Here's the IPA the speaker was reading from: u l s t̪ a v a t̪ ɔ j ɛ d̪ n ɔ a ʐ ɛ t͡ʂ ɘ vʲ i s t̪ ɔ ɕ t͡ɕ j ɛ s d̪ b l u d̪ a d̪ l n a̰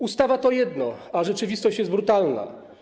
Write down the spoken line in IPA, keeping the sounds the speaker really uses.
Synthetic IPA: u s t̪ a v a t̪ ɔ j ɛ d̪ n ɔ a ʐ ɛ t͡ʂ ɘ vʲ i s t̪ ɔ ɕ t͡ɕ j ɛ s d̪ b ɾ u t̪ a l n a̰